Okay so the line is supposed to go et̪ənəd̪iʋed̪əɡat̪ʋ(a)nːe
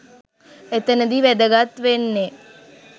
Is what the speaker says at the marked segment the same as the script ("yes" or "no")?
no